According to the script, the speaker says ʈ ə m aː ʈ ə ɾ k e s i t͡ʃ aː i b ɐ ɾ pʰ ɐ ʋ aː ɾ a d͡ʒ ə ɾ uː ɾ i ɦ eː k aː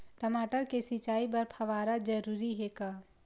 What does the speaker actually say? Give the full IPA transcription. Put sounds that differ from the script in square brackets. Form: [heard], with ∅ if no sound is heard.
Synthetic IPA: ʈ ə m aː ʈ ə ɾ k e s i t͡ʃ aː i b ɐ ɾ pʰ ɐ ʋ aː ɾ a d͡ʒ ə ɾ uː ɾ i ɦ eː k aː